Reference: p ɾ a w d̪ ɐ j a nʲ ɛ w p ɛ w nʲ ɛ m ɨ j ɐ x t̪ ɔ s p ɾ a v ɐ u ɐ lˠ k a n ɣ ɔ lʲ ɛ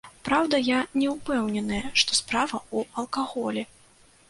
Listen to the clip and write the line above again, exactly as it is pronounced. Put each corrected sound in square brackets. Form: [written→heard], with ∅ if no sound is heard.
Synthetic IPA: p ɾ a w d̪ ɐ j a nʲ ɛ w p ɛ w nʲ ɛ [m→n] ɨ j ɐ [x→ʂ] t̪ ɔ s p ɾ a v ɐ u ɐ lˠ k a [n→∅] ɣ ɔ lʲ ɛ